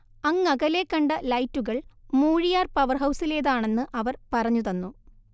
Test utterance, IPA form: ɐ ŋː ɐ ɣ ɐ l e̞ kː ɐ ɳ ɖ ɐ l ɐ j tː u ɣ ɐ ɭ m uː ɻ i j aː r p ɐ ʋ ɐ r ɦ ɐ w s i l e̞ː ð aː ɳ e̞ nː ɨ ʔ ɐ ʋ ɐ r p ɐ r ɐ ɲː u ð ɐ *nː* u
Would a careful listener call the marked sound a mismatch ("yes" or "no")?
no